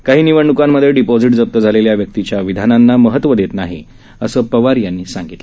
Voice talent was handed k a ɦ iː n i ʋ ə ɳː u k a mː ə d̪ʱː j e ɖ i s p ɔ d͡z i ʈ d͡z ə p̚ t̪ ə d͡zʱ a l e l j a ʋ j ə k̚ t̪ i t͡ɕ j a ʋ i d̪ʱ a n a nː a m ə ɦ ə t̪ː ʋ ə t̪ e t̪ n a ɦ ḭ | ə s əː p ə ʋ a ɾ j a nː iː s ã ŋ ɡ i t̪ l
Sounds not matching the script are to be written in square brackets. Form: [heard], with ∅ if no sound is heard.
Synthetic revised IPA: k a ɦ iː n i ʋ ə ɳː u k a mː ə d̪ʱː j e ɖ i [∅] p ɔ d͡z i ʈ d͡z ə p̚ t̪ ə d͡zʱ a l e l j a ʋ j ə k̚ t̪ i t͡ɕ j a ʋ i d̪ʱ a n a nː a m ə ɦ ə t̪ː ʋ ə [d̪] e t̪ n a ɦ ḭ | ə s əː p ə ʋ a ɾ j a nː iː s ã ŋ ɡ i t̪ l